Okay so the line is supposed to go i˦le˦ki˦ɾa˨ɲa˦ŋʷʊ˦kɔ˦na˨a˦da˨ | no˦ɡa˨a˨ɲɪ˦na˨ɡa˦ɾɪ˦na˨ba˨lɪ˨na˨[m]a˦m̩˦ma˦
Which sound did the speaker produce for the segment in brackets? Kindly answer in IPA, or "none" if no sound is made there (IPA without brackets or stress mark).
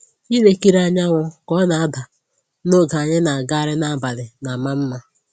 m